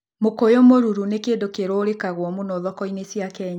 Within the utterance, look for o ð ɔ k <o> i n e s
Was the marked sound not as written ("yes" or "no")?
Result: yes